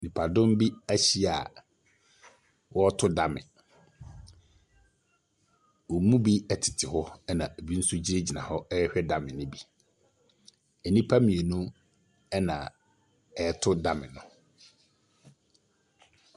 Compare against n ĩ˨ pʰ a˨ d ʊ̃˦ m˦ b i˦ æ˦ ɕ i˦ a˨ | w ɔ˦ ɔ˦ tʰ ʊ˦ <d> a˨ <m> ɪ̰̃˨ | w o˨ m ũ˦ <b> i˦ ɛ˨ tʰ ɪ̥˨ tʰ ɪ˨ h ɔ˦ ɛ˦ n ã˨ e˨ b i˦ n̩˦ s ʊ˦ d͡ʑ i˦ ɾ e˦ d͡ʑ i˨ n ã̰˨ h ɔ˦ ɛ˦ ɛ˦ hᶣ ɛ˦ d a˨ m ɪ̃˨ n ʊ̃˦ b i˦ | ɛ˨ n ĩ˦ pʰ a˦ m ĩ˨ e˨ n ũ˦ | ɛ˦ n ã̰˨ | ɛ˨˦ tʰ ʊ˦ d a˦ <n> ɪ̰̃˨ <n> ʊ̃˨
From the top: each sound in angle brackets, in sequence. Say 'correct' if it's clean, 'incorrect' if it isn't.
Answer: correct, correct, correct, incorrect: m, correct

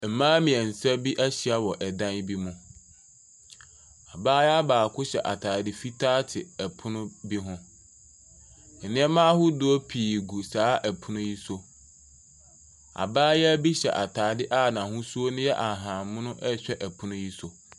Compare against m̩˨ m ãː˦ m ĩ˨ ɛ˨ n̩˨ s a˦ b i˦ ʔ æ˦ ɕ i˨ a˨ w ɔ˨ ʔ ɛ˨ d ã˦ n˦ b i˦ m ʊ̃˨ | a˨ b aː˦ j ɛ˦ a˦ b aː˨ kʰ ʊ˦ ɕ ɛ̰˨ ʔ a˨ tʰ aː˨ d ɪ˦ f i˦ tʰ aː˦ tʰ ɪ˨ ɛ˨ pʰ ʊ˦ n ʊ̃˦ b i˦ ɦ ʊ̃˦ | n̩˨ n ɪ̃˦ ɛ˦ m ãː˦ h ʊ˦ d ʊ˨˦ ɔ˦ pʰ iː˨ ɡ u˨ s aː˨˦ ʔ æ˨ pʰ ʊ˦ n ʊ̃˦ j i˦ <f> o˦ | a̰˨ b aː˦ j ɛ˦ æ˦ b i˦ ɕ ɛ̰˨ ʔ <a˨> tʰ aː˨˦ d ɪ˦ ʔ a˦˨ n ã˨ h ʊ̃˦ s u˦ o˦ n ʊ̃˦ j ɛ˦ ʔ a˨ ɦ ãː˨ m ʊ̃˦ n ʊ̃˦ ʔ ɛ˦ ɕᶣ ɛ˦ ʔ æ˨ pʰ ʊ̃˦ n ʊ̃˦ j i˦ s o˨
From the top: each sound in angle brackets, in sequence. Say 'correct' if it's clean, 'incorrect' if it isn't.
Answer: incorrect: s, correct

